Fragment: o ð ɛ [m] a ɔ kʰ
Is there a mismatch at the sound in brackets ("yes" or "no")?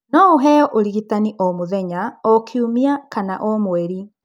yes